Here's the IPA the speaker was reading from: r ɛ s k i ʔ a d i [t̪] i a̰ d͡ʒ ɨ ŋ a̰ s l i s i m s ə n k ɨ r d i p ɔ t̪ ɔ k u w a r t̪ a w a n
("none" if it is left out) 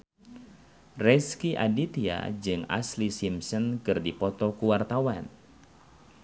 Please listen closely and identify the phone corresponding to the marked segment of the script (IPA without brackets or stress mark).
t̪